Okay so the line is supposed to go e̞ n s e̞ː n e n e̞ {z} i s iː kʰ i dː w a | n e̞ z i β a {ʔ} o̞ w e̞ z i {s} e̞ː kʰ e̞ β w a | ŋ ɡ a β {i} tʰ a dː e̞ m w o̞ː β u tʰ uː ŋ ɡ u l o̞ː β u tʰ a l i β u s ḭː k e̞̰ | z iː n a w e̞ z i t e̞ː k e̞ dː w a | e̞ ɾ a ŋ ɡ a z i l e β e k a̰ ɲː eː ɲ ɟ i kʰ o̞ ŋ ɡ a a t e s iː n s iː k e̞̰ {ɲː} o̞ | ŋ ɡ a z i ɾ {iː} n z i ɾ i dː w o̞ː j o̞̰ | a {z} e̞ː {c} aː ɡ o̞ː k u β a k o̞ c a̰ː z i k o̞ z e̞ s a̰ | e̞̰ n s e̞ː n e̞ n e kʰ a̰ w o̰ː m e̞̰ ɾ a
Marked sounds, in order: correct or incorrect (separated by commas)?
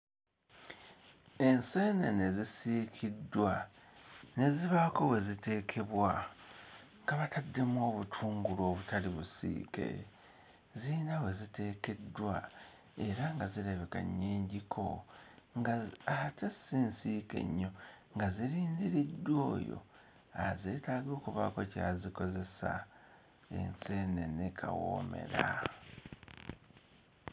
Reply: correct, incorrect, incorrect, incorrect, correct, correct, correct, incorrect